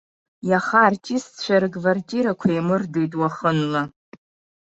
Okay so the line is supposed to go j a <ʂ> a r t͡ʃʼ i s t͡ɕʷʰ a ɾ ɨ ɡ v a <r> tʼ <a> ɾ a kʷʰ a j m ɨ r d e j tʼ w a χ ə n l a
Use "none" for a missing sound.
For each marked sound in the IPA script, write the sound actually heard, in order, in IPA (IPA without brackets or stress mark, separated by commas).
χ, r, i